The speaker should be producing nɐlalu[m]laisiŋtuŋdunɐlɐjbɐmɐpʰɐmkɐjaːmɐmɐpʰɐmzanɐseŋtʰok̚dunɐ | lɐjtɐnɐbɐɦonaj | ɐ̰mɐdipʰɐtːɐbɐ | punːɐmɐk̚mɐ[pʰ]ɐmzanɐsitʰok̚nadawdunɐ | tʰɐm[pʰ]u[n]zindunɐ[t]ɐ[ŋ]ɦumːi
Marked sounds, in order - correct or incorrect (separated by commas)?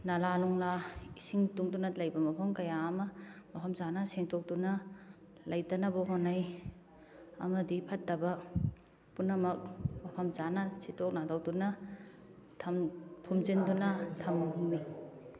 incorrect, correct, correct, incorrect, incorrect, incorrect